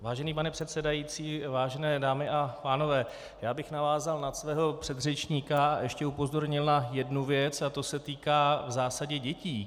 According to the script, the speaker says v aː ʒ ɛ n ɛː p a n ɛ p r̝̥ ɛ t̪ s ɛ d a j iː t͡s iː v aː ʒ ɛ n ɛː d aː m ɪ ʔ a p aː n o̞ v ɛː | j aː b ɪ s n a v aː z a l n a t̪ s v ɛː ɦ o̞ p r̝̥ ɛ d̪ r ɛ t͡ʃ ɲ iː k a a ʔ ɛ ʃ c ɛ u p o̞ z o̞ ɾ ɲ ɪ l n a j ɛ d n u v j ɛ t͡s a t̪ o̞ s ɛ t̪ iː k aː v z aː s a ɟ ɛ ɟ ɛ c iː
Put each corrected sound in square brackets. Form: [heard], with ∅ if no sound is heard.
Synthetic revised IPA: v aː ʒ ɛ n [iː] p a n ɛ p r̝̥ ɛ t̪ s ɛ d a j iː t͡s iː v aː ʒ ɛ n ɛː d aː m ɪ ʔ a p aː n o̞ v ɛː | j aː b ɪ [x] n a v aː z a l n a t̪ s v ɛː ɦ o̞ p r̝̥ ɛ d̪ r ɛ t͡ʃ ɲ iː k a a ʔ ɛ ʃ c ɛ u p o̞ z o̞ ɾ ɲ ɪ l n a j ɛ d n u v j ɛ t͡s a t̪ o̞ s ɛ t̪ iː k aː v z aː s a ɟ ɛ ɟ ɛ c iː

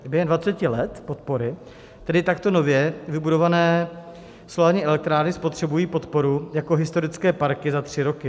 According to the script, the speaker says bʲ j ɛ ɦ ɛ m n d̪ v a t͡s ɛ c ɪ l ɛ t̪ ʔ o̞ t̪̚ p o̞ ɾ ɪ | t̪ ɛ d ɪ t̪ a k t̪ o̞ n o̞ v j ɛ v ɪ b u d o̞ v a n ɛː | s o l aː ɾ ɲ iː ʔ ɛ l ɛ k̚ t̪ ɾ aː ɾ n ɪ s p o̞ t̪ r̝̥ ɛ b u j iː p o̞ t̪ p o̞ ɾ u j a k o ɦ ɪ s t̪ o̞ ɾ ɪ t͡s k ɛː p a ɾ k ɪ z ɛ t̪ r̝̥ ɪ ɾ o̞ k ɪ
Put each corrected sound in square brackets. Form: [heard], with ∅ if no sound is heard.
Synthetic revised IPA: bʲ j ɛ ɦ ɛ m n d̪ v a t͡s ɛ c ɪ l ɛ t̪ [p] o̞ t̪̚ p o̞ ɾ ɪ | t̪ ɛ d ɪ t̪ a k t̪ o̞ n o̞ v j ɛ v ɪ b u d o̞ v a n ɛː | s o l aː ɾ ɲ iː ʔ ɛ l ɛ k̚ t̪ ɾ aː ɾ n ɪ s p o̞ t̪ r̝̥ ɛ b u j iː p o̞ t̪ p o̞ ɾ u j a k o ɦ ɪ s t̪ o̞ ɾ ɪ t͡s k ɛː p a ɾ k ɪ z [a] t̪ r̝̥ ɪ ɾ o̞ k ɪ

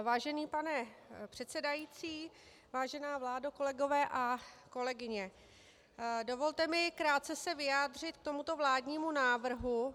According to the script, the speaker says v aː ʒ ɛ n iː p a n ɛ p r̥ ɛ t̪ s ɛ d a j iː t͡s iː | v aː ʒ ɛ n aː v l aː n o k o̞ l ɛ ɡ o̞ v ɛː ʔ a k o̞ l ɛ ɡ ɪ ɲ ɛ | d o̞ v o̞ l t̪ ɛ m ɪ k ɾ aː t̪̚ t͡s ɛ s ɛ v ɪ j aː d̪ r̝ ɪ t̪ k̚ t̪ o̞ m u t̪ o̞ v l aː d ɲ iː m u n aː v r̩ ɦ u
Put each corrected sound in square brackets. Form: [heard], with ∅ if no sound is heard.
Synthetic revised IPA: v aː ʒ ɛ n iː p a n ɛ p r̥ ɛ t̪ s ɛ d a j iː t͡s iː | v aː ʒ ɛ n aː v l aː [d] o k o̞ l ɛ ɡ o̞ v ɛː ʔ a k o̞ l ɛ ɡ ɪ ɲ ɛ | d o̞ v o̞ l t̪ ɛ m ɪ k ɾ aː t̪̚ t͡s ɛ s ɛ v ɪ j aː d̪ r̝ ɪ t̪ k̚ t̪ o̞ m u t̪ o̞ v l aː d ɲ iː m u n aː v r̩ ɦ u

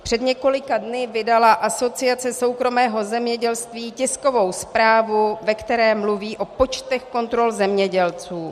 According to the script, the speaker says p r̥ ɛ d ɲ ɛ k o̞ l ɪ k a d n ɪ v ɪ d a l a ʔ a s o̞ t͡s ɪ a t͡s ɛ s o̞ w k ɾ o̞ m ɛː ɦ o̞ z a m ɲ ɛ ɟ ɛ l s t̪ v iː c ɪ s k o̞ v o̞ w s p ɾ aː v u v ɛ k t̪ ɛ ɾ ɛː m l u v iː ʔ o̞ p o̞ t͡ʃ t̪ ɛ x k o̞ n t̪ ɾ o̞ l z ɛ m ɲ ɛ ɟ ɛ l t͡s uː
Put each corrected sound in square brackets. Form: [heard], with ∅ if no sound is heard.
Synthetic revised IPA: p r̥ ɛ d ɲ ɛ k o̞ l ɪ k a d n ɪ v ɪ d a l a ʔ a s o̞ t͡s ɪ a t͡s ɛ s o̞ w k ɾ o̞ m ɛː ɦ o̞ z [ɛ] m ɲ ɛ ɟ ɛ l s t̪ v iː c ɪ s k o̞ v o̞ w s p ɾ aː v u v ɛ k t̪ ɛ ɾ ɛː m l u v iː ʔ o̞ p o̞ t͡ʃ t̪ ɛ x k o̞ n t̪ ɾ o̞ l z ɛ m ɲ ɛ ɟ ɛ l t͡s uː

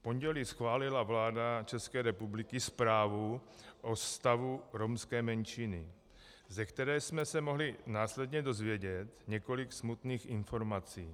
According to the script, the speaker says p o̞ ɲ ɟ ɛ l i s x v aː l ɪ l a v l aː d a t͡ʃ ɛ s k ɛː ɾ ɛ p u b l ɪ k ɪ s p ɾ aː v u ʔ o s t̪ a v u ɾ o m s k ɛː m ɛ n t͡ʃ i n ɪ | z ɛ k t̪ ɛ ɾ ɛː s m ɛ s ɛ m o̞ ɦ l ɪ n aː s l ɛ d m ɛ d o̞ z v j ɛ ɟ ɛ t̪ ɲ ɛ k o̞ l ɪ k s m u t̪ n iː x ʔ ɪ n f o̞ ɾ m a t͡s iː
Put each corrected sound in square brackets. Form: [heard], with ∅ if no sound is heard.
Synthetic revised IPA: p o̞ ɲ ɟ ɛ l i s x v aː l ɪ l a v l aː d a t͡ʃ ɛ s k ɛː ɾ ɛ p u b l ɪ k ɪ s p ɾ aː v u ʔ o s t̪ a v u ɾ o m s k ɛː m ɛ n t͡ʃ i n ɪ | z ɛ k t̪ ɛ ɾ ɛː s m ɛ s ɛ m o̞ ɦ l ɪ n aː s l ɛ d [ɲ] ɛ d o̞ z v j ɛ ɟ ɛ t̪ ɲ ɛ k o̞ l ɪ k s m u t̪ n iː x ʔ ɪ n f o̞ ɾ m a t͡s iː

